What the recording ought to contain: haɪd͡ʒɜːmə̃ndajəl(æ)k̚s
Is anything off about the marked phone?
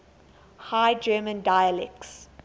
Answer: yes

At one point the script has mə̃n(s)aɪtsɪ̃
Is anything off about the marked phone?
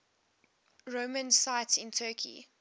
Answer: no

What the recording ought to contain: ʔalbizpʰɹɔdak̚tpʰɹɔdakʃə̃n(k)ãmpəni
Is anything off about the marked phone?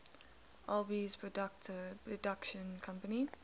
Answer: yes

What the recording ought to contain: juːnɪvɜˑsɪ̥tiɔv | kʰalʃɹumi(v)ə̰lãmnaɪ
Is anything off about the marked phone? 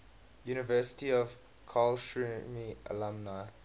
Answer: yes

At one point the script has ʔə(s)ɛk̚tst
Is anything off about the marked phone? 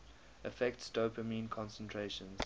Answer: yes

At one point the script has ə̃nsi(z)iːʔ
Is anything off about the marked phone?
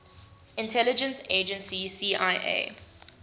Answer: yes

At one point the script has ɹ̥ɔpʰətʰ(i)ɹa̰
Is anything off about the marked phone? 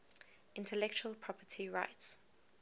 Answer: no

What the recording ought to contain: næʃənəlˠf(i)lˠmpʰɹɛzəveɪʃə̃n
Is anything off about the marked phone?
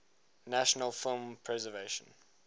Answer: yes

